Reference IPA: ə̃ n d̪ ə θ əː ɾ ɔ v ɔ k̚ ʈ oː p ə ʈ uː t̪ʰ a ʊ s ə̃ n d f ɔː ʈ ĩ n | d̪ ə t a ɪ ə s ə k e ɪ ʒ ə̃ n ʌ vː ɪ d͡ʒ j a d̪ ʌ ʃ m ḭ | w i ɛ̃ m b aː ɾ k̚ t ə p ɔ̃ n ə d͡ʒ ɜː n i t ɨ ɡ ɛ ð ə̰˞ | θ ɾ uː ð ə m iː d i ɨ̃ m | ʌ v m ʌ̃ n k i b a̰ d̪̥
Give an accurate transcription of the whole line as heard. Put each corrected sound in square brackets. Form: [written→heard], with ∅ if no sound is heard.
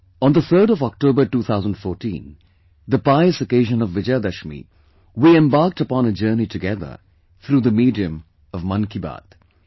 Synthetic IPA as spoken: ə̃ n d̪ ə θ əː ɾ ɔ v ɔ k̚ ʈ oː [p→b] ə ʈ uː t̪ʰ a ʊ [s→z] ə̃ n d f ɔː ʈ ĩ n | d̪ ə [t→p] a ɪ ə s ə k e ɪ ʒ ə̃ n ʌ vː ɪ d͡ʒ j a d̪ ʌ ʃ m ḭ | w i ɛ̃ m b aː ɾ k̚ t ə p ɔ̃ n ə d͡ʒ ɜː n i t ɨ ɡ ɛ ð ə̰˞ | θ ɾ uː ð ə m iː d i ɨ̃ m | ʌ v m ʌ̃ n k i b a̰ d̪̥

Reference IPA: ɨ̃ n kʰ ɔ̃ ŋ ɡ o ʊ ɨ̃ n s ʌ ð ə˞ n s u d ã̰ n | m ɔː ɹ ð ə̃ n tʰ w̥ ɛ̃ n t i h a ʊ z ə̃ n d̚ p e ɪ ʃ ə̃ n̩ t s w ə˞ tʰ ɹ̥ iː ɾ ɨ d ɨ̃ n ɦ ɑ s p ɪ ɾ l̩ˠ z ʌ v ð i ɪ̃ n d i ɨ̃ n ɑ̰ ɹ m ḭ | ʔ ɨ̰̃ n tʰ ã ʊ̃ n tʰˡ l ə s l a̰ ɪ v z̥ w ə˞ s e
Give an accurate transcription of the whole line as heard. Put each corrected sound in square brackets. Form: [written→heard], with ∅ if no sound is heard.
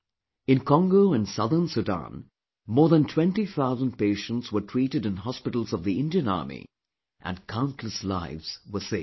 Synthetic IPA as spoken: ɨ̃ n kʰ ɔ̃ ŋ ɡ o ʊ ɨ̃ n s ʌ ð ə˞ n s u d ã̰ n | m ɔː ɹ ð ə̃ n tʰ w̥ ɛ̃ n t i [h→θ] a ʊ z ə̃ n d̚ p e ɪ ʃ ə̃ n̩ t s w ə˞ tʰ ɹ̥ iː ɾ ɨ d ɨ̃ n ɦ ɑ s p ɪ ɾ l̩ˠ z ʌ v ð i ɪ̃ n d i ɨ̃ n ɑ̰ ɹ m ḭ | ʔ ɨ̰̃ n [tʰ→kʰ] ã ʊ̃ n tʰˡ l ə s l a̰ ɪ v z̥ w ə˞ s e

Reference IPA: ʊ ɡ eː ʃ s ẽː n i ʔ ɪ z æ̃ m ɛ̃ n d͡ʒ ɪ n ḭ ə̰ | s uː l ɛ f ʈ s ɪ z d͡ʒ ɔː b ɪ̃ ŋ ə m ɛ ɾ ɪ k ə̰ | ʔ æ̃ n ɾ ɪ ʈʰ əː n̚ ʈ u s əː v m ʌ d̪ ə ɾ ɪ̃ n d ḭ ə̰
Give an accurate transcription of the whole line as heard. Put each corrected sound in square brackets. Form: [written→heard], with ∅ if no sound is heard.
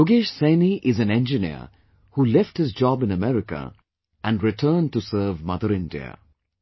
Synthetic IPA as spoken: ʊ ɡ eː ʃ s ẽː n i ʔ ɪ z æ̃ [m→n] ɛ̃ n d͡ʒ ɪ n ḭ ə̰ | [s→h] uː l ɛ f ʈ [s→h] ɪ z d͡ʒ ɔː b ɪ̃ [ŋ→n] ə m ɛ ɾ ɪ k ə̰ | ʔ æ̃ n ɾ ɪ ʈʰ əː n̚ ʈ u s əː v m ʌ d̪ ə ɾ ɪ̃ n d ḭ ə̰

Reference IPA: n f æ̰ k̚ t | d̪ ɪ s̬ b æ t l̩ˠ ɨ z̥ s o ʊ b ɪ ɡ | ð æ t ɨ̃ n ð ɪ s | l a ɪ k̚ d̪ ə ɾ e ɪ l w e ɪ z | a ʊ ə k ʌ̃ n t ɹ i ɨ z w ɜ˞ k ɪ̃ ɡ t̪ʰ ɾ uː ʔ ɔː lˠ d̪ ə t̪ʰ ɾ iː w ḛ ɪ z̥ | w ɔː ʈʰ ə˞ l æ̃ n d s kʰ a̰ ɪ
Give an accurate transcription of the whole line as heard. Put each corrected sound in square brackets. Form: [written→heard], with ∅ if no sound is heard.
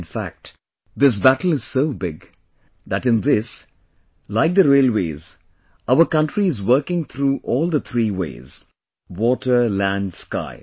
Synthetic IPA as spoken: n f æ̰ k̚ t | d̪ ɪ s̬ b æ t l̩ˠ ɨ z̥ s o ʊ b ɪ ɡ | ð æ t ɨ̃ n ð ɪ s | l a ɪ k̚ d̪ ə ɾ e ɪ l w e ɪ z | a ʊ ə k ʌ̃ n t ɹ i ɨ z w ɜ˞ k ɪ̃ [ɡ→ŋ] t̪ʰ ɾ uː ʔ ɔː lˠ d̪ ə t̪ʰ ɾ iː w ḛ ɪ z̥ | w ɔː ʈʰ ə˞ l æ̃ n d s [kʰ→k] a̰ ɪ

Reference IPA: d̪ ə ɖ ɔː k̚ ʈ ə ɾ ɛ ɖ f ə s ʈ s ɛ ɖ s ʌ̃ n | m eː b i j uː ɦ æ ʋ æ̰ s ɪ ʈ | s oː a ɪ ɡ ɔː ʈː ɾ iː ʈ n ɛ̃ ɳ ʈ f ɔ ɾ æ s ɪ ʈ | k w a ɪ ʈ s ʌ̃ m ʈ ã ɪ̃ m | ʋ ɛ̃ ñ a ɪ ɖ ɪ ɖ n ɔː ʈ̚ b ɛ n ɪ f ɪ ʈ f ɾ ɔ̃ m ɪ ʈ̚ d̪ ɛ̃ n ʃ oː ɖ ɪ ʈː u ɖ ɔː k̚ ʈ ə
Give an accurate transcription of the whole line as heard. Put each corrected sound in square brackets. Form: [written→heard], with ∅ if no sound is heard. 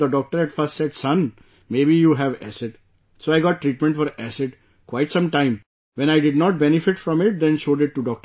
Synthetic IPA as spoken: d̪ ə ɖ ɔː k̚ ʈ ə ɾ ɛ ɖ f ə s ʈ s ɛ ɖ s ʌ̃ n | m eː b i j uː ɦ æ ʋ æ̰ s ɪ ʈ | s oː a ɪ ɡ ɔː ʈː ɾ iː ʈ [n→m] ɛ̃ ɳ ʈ f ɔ ɾ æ s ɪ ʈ | k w a ɪ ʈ s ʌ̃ m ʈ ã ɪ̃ m | ʋ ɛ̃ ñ a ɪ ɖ ɪ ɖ n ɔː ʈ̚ b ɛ n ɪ f ɪ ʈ f ɾ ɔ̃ m ɪ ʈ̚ d̪ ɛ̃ n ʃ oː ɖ ɪ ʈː u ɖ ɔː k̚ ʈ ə

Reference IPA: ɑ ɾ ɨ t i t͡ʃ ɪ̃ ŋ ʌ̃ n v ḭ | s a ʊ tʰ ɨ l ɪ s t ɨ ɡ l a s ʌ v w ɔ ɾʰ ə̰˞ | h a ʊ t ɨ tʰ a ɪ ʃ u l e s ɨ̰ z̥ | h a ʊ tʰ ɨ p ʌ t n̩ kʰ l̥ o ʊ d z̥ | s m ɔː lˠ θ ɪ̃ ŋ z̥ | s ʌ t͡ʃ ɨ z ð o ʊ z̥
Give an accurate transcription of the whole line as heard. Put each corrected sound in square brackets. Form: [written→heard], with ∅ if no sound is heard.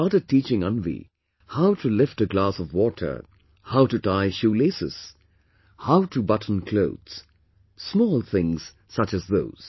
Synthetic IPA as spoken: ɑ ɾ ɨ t i t͡ʃ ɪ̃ ŋ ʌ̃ n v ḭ | [s→h] a ʊ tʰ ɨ l ɪ [s→f] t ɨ ɡ l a s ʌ v w ɔ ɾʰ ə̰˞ | h a ʊ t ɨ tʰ a ɪ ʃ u l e s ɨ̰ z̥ | h a ʊ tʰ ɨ [p→b] ʌ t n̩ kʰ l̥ o ʊ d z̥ | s m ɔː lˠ θ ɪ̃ ŋ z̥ | s ʌ t͡ʃ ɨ z ð o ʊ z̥

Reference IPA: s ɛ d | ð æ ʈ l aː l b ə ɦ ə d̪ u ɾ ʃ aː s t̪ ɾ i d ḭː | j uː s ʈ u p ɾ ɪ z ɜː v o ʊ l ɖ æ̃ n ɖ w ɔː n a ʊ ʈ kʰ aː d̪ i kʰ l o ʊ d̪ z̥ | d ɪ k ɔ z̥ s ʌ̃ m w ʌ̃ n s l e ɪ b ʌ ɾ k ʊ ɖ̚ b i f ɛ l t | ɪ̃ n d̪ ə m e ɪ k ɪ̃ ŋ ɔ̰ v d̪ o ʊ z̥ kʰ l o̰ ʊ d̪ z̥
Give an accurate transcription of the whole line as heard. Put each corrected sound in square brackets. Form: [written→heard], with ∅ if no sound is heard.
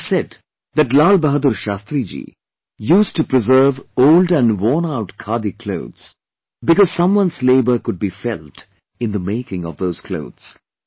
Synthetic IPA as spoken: s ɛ d | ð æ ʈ l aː l b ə ɦ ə d̪ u ɾ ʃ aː s t̪ ɾ i [d→d͡ʒ] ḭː | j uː s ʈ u p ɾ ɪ z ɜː v o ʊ l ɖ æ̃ n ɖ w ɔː n a ʊ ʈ kʰ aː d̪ i kʰ l o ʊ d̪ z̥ | [d→b] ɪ k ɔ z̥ s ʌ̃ m w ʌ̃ n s l e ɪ b [ʌ→ə] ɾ k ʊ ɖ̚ b i f ɛ l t | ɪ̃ n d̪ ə m e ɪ k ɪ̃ ŋ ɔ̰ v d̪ o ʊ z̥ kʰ l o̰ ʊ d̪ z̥

